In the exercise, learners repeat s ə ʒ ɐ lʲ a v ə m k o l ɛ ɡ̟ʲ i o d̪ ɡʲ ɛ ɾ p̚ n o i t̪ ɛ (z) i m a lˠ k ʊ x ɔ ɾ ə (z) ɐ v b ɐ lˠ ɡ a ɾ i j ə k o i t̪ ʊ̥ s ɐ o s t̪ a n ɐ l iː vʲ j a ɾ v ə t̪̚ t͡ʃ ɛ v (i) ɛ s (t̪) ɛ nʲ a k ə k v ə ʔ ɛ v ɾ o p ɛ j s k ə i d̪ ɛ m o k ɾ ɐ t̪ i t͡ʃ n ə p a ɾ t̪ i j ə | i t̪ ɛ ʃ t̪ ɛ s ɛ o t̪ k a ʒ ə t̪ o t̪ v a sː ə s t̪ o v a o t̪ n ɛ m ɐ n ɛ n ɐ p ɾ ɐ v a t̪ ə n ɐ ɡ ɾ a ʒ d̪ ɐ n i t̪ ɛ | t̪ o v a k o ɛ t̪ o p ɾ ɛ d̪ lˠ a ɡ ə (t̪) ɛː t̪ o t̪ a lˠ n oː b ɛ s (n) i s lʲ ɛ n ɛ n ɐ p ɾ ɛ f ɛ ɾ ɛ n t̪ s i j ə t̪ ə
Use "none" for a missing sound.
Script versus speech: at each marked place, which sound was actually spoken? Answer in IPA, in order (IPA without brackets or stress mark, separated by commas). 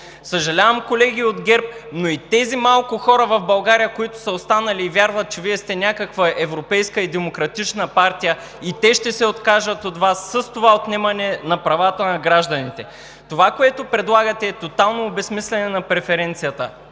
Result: z, v, i, t̪, t̪, m